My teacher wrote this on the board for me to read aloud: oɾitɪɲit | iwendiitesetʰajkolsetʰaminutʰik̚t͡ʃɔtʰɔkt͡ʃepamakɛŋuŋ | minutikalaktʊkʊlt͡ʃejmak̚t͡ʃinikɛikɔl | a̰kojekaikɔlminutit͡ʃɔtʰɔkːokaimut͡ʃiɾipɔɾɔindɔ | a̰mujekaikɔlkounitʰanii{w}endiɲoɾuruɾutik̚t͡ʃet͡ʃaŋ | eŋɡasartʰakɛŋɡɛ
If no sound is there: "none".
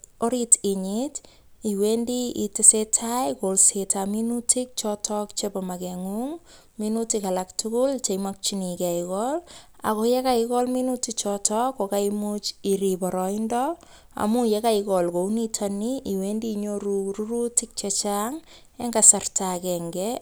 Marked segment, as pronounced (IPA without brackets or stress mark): w